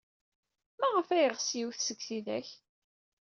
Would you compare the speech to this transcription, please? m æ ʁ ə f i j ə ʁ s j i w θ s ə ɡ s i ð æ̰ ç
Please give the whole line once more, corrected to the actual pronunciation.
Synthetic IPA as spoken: m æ ʁ ə f æ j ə ʁ s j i w θ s ə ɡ θ i ð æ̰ ç

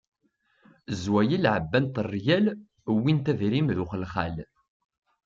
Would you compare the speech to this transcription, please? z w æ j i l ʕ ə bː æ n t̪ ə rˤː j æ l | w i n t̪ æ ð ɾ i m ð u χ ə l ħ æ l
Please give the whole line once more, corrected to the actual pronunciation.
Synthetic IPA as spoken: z w æ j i l ʕ ə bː æ n t̪ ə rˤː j æ l | w i n t̪ æ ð ɾ i m ð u χ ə l χ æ l

